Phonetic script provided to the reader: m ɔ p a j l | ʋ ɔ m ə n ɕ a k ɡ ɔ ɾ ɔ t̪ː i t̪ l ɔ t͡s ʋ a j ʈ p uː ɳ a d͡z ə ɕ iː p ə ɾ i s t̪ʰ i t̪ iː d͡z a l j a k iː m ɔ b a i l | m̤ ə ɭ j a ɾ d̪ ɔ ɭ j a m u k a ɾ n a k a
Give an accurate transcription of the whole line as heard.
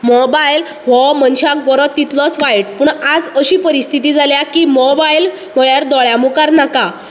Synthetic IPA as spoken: m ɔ b a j l | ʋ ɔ m ə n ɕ a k ɡ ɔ ɾ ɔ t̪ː i t̪ l ɔ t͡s ʋ a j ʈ p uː ɳ a d͡z ə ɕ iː p ə ɾ i s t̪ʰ i t̪ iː d͡z a l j a k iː m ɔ b a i l | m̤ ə ɭ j a ɾ d̪ ɔ ɭ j a m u k a ɾ n a k a

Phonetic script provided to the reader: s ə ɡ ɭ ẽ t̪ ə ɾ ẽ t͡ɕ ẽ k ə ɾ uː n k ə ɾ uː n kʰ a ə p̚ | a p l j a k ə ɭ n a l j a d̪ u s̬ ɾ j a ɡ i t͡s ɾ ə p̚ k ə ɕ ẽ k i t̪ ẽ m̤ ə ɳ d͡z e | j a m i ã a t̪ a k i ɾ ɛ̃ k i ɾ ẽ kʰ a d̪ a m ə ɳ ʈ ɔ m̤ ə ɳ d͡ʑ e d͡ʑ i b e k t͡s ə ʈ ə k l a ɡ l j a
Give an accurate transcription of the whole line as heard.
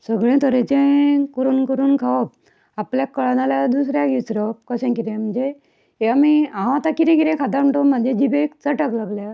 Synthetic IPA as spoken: s ə ɡ ɭ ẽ t̪ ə ɾ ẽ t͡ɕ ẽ k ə ɾ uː n k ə ɾ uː n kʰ a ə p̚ | a p l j a k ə ɭ n a l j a d̪ u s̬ ɾ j a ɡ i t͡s ɾ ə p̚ k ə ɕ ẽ k i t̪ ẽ m̤ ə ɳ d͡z e | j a m i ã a t̪ a k i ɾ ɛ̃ k i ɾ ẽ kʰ a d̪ a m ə ɳ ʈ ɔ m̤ ə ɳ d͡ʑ e d͡ʑ i b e k t͡s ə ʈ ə k l a ɡ l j a

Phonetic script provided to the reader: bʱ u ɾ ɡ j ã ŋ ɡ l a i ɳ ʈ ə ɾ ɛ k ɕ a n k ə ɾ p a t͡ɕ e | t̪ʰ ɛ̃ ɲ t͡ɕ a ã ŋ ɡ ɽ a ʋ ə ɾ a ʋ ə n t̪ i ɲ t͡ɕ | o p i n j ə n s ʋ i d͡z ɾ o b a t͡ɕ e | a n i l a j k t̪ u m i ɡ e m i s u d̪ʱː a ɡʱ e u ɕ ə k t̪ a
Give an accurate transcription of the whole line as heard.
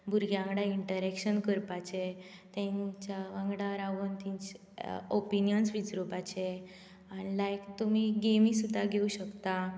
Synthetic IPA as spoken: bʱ u ɾ ɡ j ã ŋ ɡ ɽ a i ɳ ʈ ə ɾ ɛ k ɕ ə n k ə ɾ p a t͡ɕ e | t̪ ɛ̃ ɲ t͡ɕ a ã ŋ ɡ ɽ a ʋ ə ɾ a ʋ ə n t̪ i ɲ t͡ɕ | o p i n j ə n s ʋ i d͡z ɾ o b a t͡ɕ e | a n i l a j k t̪ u m i ɡ e m i s u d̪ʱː a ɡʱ e u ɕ ə k t̪ a

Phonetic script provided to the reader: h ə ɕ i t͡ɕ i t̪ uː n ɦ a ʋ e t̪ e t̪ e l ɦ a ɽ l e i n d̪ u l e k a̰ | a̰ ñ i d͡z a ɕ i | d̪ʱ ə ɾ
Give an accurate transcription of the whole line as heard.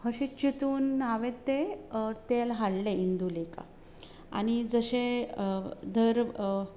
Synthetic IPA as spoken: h ə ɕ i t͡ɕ i t̪ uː n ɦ a ʋ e t̪ e t̪ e l ɦ a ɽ l e i n d̪ u l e k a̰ | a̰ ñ i d͡z ə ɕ e | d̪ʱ ə ɾ

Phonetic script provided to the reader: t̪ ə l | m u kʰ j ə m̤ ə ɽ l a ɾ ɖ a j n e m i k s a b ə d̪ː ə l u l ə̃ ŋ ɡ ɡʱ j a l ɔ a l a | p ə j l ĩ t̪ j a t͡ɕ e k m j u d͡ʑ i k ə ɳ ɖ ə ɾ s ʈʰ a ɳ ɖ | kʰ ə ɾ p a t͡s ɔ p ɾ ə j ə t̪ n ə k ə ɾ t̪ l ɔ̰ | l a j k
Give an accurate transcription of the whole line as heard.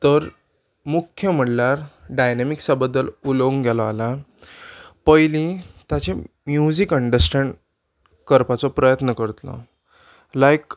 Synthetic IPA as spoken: t̪ ə ɾ | m u kʰ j ə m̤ ə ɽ l a ɾ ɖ a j n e m i k s a b ə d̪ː ə l u l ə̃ ŋ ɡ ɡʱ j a l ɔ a l a | p ə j l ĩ t̪ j a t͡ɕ e m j u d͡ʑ i k ə ɳ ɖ ə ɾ s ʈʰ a ɳ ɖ | k ə ɾ p a t͡s ɔ p ɾ ə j ə t̪ n ə k ə ɾ t̪ l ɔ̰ | l a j k

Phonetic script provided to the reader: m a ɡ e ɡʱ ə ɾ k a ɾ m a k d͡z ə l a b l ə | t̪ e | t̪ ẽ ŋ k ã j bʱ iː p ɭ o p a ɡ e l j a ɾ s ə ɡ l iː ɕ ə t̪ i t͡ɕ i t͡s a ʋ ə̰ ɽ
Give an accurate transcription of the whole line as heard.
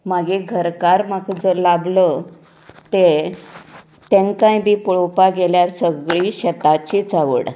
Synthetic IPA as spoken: m a ɡ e ɡʱ ə ɾ k a ɾ m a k d͡z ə l a b l ə | t̪ e | t̪ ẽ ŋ k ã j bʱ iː p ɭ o p a ɡ e l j a ɾ s ə ɡ ɭ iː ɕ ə t̪ a t͡ɕ i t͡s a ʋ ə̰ ɽ

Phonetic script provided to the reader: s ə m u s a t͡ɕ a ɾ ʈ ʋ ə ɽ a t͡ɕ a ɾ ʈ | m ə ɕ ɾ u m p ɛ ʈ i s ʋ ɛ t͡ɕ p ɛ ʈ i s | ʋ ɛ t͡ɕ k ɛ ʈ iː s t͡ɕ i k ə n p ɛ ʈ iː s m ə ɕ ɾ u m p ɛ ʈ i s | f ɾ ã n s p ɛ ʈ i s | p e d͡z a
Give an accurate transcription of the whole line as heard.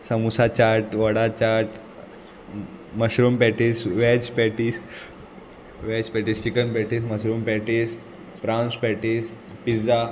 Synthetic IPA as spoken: s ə m u s a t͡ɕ a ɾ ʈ ʋ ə ɽ a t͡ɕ a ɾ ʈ | m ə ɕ ɾ u m p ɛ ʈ i s ʋ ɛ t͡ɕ p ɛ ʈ i s | ʋ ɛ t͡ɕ p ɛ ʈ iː s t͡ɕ i k ə n p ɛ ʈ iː s m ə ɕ ɾ u m p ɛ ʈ i s | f ɾ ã n s p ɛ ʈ i s | p i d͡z a

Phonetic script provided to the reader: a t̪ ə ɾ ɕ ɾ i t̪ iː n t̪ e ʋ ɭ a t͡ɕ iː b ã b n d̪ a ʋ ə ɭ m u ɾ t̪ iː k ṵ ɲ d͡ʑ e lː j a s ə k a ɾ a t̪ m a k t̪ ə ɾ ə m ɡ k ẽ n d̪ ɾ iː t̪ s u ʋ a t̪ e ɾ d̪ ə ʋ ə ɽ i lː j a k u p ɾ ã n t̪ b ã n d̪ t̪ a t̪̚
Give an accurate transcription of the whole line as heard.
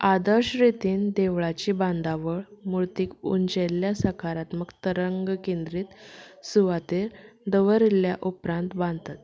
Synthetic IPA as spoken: a d̪ ə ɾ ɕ ɾ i t̪ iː n d̪ e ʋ ɭ a t͡ɕ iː b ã n d̪ a ʋ ə ɭ m u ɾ t̪ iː k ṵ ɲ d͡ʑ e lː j a s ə k a ɾ a t̪ m ə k t̪ ə ɾ ə ŋ ɡ k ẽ n d̪ ɾ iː t̪ s u ʋ a t̪ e ɾ d̪ ə ʋ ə ɾ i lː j a ʔ u p ɾ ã n t̪ b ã n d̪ t̪ a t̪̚

